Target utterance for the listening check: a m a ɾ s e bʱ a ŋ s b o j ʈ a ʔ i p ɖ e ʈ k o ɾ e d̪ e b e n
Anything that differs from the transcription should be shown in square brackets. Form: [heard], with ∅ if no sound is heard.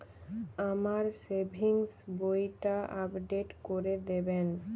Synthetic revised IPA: a m a ɾ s e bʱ [i] ŋ s b o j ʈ a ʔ [a] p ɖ e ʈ k o ɾ e d̪ e b e n